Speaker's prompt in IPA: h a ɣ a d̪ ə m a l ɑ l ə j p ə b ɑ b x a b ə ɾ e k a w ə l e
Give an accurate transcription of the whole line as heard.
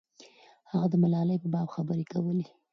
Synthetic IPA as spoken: h a ɣ a d̪ ə m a l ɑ l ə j p ə b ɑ b x a b ə ɾ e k a w ə l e